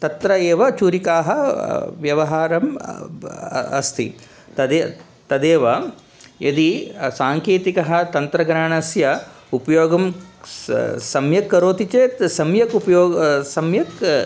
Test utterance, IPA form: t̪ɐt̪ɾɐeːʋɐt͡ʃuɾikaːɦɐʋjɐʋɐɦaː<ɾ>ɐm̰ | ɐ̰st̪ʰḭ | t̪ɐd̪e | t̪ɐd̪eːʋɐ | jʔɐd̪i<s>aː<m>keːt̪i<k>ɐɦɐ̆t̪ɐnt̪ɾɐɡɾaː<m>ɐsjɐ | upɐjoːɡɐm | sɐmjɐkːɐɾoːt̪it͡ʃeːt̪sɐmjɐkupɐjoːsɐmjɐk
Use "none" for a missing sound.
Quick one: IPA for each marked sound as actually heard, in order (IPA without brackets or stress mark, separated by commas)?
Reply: ɾ, s, ŋ, k, ɳ